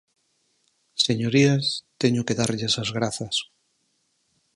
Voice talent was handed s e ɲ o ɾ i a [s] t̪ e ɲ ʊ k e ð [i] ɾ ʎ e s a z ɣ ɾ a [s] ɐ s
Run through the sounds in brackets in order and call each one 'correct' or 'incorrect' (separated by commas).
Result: correct, incorrect, incorrect